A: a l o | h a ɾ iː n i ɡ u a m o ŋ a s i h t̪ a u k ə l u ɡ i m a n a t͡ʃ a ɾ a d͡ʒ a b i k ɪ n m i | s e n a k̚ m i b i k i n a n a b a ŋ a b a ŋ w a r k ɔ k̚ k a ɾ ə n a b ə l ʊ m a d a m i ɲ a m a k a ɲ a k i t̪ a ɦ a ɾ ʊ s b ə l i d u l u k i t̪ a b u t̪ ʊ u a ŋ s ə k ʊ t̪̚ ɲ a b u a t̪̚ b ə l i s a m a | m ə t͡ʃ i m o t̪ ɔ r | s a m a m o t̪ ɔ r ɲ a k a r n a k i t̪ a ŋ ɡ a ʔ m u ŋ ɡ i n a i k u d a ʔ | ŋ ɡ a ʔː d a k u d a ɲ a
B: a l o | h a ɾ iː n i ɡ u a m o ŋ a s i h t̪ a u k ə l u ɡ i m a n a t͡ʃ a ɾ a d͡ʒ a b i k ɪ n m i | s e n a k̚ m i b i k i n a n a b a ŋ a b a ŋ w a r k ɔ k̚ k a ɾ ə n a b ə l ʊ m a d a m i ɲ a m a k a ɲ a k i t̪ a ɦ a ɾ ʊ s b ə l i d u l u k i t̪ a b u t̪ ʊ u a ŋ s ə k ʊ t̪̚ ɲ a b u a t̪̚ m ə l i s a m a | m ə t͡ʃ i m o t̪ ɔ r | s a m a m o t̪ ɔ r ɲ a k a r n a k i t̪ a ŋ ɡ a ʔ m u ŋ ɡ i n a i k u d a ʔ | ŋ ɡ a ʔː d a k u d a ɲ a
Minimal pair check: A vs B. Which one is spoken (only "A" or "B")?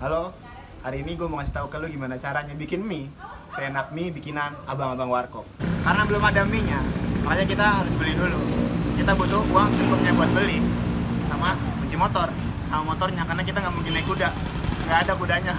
A